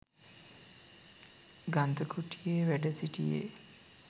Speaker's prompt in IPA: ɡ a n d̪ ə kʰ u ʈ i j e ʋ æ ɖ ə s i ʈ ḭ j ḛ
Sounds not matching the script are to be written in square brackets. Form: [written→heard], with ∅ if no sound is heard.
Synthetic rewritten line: ɡ a n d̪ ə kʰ u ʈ i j e ʋ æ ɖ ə s i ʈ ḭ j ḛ